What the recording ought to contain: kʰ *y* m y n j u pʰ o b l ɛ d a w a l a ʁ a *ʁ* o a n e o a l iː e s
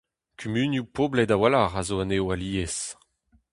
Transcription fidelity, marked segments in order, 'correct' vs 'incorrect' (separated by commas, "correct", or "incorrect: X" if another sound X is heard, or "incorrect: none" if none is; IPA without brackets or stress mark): correct, incorrect: z